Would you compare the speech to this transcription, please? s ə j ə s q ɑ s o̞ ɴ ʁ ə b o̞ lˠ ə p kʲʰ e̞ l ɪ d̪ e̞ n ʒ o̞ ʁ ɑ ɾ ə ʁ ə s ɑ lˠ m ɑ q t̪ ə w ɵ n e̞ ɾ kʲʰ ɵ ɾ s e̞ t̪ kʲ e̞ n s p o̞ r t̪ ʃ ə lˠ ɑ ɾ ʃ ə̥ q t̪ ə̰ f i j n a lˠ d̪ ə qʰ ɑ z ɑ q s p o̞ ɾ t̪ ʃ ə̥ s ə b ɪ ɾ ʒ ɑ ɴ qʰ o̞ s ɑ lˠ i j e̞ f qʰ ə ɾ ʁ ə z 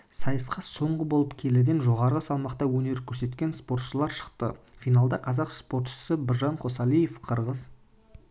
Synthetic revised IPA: s ɑ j ə s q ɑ s o̞ ɴ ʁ ə b o̞ lˠ ə p kʲʰ e̞ l ɪ d̪ e̞ n ʒ o̞ ʁ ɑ ɾ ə ʁ ə s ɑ lˠ m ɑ q t̪ ɑ w ɵ n e̞ ɾ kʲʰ ɵ ɾ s e̞ t̪ kʲ e̞ n s p o̞ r t̪ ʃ ə lˠ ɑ ɾ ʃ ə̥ q t̪ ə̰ f i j n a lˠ d̪ ɑ qʰ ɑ z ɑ q s p o̞ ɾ t̪ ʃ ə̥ s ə b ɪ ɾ ʒ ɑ ɴ qʰ o̞ s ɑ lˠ i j e̞ f qʰ ə ɾ ʁ ə z